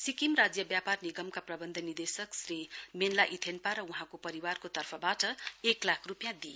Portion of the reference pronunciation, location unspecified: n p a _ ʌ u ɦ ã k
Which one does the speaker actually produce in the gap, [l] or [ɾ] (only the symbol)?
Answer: ɾ